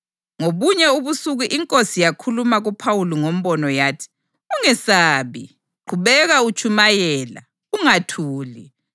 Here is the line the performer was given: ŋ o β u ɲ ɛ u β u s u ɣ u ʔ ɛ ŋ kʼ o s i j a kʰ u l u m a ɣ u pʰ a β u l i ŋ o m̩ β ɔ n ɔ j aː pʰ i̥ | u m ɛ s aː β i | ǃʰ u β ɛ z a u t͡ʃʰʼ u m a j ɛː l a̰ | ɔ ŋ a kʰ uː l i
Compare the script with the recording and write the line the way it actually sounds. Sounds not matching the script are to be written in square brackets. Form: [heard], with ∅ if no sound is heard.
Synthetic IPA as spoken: ŋ o β u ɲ ɛ u β u s u ɣ u ʔ [i] ŋ kʼ o s i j a kʰ u l u m a ɣ u pʰ a [w] u l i ŋ o m̩ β ɔ n ɔ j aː [tʰ] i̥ | u [ŋ] ɛ s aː β i | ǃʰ u β ɛ [ɣ] a u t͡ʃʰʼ u m a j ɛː l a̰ | [u] ŋ a [tʰ] uː l i

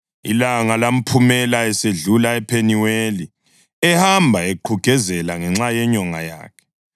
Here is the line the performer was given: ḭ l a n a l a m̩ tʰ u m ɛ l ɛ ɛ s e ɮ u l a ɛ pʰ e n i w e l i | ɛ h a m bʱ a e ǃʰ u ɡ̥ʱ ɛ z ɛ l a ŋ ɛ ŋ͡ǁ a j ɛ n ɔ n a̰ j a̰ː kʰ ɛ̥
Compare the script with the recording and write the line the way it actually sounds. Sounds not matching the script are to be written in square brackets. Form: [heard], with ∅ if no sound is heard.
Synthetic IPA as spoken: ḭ l a [ŋ] a l a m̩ [pʰ] u m ɛ l [a] ɛ s e ɮ u l a ɛ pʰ e n i w e l i | ɛ h a m bʱ a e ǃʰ u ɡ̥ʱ ɛ z ɛ l a ŋ ɛ ŋ͡ǁ a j ɛ [ɲ] ɔ [ŋ] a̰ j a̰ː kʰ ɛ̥

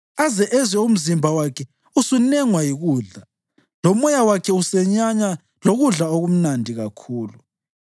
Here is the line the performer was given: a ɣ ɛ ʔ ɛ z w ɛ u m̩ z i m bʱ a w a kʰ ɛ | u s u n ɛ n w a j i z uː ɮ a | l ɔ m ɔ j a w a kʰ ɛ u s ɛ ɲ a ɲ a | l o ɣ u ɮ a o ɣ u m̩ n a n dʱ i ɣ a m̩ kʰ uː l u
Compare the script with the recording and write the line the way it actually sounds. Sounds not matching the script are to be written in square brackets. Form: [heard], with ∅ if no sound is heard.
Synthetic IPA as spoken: a [z] ɛ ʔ ɛ z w ɛ u m̩ z i m bʱ a w a kʰ ɛ | u s u n ɛ [ŋ] w a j i [ɣ] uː ɮ a | l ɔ m ɔ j a w a kʰ ɛ u s ɛ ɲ a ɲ a | l o ɣ u ɮ a o ɣ u m̩ n a n dʱ i ɣ a [∅] kʰ uː l u

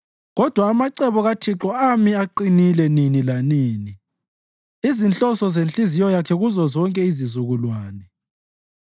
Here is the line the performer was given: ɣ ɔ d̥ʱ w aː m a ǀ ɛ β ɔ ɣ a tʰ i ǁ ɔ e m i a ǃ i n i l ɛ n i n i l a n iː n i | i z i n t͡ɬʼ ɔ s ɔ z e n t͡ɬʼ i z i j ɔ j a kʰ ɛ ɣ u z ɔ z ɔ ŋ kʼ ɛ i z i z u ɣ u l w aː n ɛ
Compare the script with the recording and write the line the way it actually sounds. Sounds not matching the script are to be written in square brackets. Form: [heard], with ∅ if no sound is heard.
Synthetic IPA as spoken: ɣ ɔ d̥ʱ w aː m a ǀ ɛ β ɔ ɣ a tʰ i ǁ ɔ [a] m i a ǃ i n i l ɛ n i n i l a n iː n i | i z i n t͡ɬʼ ɔ s ɔ z e n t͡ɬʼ i z i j ɔ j a kʰ ɛ ɣ u z ɔ z ɔ ŋ kʼ ɛ i z i z u ɣ u l w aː n ɛ

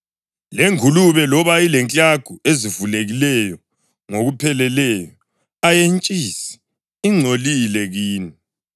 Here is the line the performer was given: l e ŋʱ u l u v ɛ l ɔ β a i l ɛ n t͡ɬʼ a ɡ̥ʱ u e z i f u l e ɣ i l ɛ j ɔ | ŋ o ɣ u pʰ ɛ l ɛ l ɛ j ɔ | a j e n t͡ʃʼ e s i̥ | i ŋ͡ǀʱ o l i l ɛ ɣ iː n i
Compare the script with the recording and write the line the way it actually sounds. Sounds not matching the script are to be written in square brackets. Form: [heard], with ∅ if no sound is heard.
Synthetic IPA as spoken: l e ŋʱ u l u [β] ɛ l ɔ β a i l ɛ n t͡ɬʼ a ɡ̥ʱ u e z i [v] u l e ɣ i l ɛ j ɔ | ŋ o ɣ u pʰ ɛ l ɛ l ɛ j ɔ | a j e n t͡ʃʼ [i] s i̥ | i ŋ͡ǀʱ o l i l ɛ ɣ iː n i

